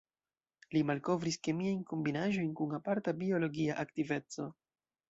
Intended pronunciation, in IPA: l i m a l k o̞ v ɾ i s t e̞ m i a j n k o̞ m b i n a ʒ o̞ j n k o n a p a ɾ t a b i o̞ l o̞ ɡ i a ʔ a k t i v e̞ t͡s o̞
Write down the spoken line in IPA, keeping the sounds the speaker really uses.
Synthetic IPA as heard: l i m a l k o̞ v ɾ i s k e̞ m i a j n k o̞ m b i n a ʒ o̞ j n k u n a p a ɾ t a b i o̞ l o̞ ɡ i a ʔ a k t i v e̞ t͡s o̞